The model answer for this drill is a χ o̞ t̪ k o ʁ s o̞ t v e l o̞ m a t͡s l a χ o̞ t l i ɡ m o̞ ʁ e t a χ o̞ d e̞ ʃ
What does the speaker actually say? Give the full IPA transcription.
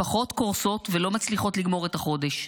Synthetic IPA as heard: a χ o̞ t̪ k o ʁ s o̞ t v e l o̞ m a t͡s l i χ o̞ t l i ɡ m o̞ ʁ e t a χ o̞ d e̞ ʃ